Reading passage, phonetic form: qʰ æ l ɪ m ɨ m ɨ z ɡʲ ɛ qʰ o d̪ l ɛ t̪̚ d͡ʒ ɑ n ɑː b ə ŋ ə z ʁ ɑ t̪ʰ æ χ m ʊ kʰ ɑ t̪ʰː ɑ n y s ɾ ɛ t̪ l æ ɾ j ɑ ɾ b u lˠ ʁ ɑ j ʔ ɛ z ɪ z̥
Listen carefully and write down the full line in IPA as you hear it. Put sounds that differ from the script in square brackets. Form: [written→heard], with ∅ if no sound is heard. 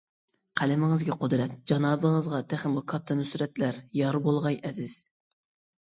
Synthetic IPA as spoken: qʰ æ l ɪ m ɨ [m→ŋ] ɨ z ɡʲ ɛ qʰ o d̪ [l→ɾ] ɛ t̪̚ d͡ʒ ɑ n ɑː b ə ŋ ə z ʁ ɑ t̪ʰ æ χ m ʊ kʰ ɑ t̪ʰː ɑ n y s ɾ ɛ t̪ l æ ɾ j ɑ ɾ b [u→o] lˠ ʁ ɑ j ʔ ɛ z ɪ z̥

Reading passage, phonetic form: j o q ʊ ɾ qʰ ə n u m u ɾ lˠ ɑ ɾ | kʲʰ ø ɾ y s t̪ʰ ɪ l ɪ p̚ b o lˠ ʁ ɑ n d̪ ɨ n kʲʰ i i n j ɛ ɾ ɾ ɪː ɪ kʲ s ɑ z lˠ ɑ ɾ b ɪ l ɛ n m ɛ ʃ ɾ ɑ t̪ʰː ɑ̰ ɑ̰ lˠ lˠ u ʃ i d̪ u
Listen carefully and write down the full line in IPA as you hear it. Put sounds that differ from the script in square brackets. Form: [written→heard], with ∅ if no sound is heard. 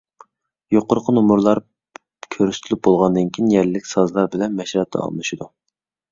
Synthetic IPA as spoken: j o q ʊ ɾ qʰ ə n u m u ɾ lˠ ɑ ɾ | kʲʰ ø ɾ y s t̪ʰ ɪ l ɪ p̚ b o lˠ ʁ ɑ n d̪ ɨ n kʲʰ i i n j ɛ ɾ [ɾ→l] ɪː ɪ kʲ s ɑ z lˠ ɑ ɾ b ɪ l ɛ n m ɛ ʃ ɾ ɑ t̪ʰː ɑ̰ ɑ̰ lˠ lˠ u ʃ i d̪ u

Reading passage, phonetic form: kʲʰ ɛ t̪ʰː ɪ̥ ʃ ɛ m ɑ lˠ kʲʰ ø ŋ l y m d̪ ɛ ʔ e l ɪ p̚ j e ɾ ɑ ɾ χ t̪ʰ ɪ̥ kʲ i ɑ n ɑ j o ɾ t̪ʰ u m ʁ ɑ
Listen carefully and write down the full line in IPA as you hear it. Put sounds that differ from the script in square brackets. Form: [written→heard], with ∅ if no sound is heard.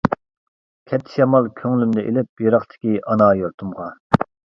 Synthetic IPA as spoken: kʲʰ ɛ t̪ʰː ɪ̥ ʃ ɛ m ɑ lˠ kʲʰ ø ŋ l y m d̪ ɛ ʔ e l ɪ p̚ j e ɾ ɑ [ɾ→∅] χ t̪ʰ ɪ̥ kʲ i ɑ n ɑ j o ɾ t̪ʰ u m ʁ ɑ

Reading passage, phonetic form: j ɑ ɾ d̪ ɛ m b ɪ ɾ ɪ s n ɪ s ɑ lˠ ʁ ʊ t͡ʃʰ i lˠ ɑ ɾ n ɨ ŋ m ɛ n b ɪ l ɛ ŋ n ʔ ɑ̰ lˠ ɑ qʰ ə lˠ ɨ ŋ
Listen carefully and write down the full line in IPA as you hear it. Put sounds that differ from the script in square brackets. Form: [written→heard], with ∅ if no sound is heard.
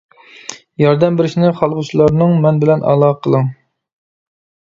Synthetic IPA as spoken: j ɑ ɾ d̪ ɛ m b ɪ ɾ ɪ [s→ʃ] n ɪ [s→χ] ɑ lˠ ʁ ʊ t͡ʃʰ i lˠ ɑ ɾ n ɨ ŋ m ɛ n b ɪ l ɛ [ŋ→∅] n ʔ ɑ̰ lˠ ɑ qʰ ə lˠ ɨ ŋ

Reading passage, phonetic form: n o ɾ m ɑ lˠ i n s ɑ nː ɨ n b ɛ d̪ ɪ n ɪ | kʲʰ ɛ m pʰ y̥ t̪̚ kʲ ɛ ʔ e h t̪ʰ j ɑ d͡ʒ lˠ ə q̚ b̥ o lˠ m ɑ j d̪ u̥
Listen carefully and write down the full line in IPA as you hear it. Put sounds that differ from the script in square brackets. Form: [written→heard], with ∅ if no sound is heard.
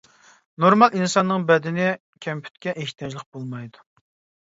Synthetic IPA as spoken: n o ɾ m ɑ lˠ i n s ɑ nː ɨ [n→ŋ] b ɛ d̪ ɪ n ɪ | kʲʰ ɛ m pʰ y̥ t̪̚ kʲ ɛ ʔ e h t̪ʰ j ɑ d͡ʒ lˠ ə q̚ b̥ o lˠ m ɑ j d̪ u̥

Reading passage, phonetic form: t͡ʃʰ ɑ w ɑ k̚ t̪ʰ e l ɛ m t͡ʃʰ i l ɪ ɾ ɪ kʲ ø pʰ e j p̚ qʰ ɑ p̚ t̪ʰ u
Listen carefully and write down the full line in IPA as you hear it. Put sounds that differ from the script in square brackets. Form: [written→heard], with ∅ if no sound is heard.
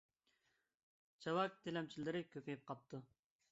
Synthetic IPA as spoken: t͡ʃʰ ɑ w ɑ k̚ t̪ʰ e l ɛ m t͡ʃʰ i l ɪ ɾ ɪ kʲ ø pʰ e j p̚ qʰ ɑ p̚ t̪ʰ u

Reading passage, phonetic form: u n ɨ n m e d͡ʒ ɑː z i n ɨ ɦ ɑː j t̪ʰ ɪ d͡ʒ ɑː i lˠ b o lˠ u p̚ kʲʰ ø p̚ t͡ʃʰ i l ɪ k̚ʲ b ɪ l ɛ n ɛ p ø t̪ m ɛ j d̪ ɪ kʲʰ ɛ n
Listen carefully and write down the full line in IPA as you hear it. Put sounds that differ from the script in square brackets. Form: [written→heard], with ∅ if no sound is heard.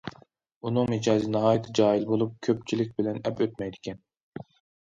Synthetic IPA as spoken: u n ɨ [n→ŋ] m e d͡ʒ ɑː z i n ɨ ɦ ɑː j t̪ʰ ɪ d͡ʒ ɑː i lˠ b o lˠ u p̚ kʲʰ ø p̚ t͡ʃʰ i l ɪ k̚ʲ b ɪ l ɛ n ɛ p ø t̪ m ɛ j d̪ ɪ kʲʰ ɛ n

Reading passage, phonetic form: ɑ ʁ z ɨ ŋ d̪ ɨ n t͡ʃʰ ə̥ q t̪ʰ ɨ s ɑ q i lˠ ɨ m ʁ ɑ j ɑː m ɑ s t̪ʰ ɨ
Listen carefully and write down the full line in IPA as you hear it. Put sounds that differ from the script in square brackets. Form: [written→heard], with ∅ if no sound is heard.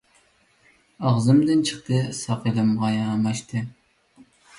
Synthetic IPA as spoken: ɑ ʁ z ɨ [ŋ→m] d̪ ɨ n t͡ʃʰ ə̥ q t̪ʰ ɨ s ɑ q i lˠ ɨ m ʁ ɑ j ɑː m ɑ [s→ʃ] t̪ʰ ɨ

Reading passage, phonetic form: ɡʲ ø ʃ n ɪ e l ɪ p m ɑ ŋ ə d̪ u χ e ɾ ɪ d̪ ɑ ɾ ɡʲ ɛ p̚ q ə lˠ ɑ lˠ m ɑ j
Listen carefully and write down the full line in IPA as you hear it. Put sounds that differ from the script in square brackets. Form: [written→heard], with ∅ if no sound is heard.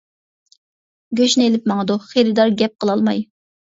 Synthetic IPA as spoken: ɡʲ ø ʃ n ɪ e l ɪ p m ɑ ŋ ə d̪ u χ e ɾ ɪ d̪ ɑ ɾ ɡʲ ɛ p̚ q ə lˠ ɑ lˠ m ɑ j

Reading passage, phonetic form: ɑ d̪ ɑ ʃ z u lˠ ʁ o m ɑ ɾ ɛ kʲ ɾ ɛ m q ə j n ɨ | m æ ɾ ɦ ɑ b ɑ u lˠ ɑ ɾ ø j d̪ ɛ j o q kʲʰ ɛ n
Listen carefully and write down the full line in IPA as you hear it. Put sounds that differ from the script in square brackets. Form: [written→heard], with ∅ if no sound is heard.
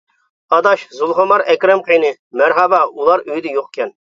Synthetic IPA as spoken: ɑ d̪ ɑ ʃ z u lˠ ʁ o m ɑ ɾ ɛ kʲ ɾ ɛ m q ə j n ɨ | m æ ɾ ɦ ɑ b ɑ u lˠ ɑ ɾ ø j d̪ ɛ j o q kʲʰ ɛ n

